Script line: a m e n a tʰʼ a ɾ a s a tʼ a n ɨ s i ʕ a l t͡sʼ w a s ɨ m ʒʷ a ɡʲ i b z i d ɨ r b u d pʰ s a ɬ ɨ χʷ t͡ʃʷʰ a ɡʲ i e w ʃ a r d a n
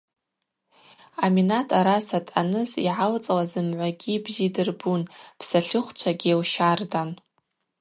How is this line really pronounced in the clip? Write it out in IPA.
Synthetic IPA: a m i n a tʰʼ a ɾ a s a tʼ a n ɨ z i ʕ a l t͡sʼ w a z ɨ m ʕʷ a ɡʲ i b z i d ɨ r b u n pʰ s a ɬ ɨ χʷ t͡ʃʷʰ a ɡʲ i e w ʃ a r d a n